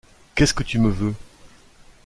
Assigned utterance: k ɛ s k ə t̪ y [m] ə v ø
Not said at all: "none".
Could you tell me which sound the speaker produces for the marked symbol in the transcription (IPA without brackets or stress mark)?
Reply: m